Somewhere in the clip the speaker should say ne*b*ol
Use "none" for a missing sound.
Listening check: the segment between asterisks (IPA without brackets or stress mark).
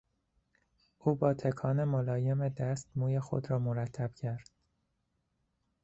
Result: m